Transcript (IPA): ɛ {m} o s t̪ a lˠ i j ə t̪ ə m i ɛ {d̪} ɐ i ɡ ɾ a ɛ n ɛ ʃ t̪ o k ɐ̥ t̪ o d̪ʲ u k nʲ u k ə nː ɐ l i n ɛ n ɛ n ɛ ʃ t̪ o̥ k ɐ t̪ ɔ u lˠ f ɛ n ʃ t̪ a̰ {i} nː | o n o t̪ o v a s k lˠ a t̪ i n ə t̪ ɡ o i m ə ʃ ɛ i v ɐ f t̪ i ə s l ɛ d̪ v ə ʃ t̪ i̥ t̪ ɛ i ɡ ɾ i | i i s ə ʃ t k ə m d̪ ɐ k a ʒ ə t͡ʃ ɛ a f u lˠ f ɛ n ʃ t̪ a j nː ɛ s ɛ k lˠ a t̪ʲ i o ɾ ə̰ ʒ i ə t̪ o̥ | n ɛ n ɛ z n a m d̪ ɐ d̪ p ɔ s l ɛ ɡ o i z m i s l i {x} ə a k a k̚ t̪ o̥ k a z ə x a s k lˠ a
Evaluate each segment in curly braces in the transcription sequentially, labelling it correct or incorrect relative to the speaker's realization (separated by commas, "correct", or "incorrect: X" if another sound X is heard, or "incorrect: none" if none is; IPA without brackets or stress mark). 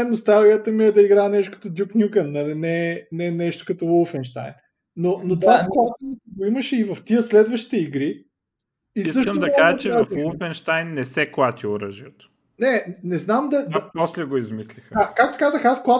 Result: incorrect: n, correct, incorrect: j, correct